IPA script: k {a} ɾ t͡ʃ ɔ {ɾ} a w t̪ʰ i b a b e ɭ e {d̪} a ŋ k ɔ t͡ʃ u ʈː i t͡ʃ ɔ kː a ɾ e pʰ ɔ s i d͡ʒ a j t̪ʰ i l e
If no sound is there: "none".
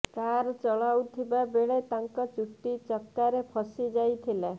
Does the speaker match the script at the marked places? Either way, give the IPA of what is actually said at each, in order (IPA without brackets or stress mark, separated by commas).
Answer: a, ɭ, t̪